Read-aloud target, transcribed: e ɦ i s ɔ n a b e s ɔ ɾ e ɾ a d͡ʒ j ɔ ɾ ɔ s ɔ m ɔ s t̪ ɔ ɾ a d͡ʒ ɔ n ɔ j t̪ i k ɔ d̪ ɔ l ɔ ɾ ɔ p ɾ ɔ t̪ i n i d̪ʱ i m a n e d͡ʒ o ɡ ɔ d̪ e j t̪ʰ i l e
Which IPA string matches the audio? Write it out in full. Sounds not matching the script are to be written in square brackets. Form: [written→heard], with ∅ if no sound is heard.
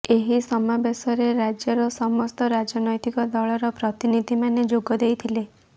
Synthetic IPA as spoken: e ɦ i s ɔ [n→m] a b e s ɔ ɾ e ɾ a d͡ʒ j ɔ ɾ ɔ s ɔ m ɔ s t̪ ɔ ɾ a d͡ʒ ɔ n ɔ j t̪ i k ɔ d̪ ɔ [l→ɭ] ɔ ɾ ɔ p ɾ ɔ t̪ i n i d̪ʱ i m a n e d͡ʒ o ɡ ɔ d̪ e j t̪ʰ i l e